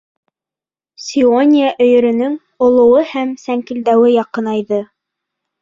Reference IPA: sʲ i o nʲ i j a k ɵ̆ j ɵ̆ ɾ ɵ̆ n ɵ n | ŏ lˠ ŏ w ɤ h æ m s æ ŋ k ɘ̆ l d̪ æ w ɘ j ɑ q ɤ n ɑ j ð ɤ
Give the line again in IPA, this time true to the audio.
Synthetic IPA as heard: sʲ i o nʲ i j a ʔ ɵ̆ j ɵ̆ ɾ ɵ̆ n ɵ ŋ | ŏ lˠ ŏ w ɤ h æ m s æ ŋ k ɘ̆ l d̪ æ w ɘ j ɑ q ɤ n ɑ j ð ɤ